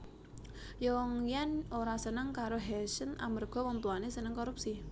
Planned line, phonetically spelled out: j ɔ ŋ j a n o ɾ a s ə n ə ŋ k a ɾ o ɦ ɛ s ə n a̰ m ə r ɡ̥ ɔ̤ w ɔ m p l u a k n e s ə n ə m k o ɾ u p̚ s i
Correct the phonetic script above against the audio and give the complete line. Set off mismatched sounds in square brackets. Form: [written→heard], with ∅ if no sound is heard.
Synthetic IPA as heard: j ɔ ŋ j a n o ɾ a s ə n ə ŋ k a ɾ o ɦ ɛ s ə n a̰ m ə r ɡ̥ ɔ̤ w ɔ m p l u a [k→∅] n e s ə n ə [m→ŋ] k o ɾ u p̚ s i

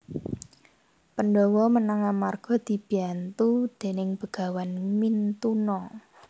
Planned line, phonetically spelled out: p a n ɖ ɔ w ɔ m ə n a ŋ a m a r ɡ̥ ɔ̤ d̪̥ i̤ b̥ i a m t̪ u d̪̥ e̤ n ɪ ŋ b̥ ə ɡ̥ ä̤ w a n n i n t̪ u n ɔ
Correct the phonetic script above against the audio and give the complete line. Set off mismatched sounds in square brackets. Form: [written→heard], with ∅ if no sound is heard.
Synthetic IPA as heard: p [a→ə] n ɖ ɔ w ɔ m ə n a ŋ a m a r ɡ̥ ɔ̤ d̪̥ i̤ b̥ i a [m→n] t̪ u d̪̥ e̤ n ɪ ŋ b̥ ə ɡ̥ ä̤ w a n [n→m] i n t̪ u n ɔ

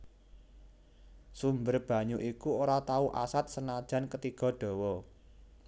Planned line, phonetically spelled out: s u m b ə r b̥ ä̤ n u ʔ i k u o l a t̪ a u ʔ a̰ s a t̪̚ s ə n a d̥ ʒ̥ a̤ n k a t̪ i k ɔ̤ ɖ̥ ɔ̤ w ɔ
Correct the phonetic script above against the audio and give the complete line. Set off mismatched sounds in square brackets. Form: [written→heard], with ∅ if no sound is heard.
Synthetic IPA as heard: s u m b ə r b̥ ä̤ [n→ɲ] u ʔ i k u o [l→ɾ] a t̪ a u ʔ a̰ s a t̪̚ s ə n a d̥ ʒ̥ a̤ n k [a→ə] t̪ i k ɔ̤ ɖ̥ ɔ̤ w ɔ

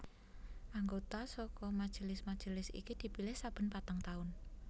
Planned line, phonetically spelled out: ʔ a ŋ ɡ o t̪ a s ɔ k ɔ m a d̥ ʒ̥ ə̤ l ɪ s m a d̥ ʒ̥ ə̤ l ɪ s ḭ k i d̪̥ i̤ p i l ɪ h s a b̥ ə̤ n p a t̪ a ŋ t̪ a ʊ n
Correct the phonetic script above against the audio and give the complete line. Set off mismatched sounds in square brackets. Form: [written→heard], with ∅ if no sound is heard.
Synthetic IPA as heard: ʔ a ŋ ɡ o t̪ a s ɔ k ɔ m a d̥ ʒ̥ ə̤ l ɪ s m a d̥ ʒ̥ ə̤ l ɪ s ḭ k i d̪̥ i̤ p i l ɪ h s a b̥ ə̤ n p a t̪ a ŋ t̪ a ʊ n

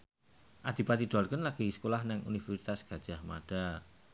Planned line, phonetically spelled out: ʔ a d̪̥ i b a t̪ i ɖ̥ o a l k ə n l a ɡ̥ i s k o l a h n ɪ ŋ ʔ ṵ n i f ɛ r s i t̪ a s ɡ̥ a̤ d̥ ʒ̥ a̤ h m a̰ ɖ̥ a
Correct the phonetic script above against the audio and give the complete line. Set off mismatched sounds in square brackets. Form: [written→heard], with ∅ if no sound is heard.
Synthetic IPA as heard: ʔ a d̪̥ i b a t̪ i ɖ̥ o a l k ə n l a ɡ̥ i s k o l a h n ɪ ŋ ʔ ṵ n i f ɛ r s i t̪ a s ɡ̥ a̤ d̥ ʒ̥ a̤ h m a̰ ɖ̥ a

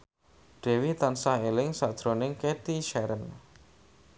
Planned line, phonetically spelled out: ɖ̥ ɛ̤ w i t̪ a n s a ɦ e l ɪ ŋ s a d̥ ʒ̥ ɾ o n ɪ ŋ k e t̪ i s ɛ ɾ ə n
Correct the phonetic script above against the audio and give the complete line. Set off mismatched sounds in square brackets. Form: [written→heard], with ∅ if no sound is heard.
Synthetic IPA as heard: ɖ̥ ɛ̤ w i t̪ a n s a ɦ e l ɪ ŋ s a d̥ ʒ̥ ɾ o n ɪ ŋ k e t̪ i [s→ʃ] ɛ ɾ ə n

